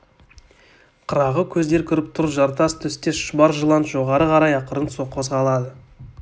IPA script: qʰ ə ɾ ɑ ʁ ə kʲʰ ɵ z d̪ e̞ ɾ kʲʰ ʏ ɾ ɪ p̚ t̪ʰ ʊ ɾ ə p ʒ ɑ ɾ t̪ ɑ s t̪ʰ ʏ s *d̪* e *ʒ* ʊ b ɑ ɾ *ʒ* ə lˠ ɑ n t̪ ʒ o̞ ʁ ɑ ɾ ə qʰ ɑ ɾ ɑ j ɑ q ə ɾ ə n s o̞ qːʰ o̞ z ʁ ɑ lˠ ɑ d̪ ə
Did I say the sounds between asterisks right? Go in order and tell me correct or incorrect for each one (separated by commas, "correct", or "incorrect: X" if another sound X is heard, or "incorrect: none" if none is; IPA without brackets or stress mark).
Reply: incorrect: t̪, incorrect: ʃ, correct